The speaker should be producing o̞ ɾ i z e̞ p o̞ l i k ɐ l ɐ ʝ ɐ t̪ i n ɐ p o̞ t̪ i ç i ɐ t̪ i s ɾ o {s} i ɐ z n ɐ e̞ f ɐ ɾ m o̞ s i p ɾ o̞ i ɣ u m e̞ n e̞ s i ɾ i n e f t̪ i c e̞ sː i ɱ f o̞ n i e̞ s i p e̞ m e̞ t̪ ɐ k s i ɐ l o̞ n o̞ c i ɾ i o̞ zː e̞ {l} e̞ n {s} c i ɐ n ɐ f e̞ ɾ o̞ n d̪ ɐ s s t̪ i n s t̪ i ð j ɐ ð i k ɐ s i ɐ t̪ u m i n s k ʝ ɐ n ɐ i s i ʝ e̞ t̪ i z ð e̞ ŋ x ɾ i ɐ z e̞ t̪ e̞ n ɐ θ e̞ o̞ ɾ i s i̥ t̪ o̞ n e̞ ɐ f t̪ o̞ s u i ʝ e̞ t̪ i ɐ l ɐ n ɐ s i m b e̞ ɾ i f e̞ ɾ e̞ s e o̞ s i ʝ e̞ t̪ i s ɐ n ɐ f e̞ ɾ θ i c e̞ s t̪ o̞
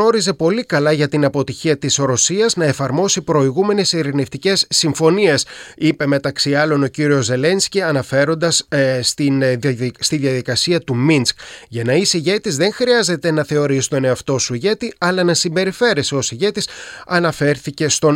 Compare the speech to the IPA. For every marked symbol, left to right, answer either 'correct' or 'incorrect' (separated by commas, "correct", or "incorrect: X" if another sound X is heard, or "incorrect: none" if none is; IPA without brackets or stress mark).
correct, correct, correct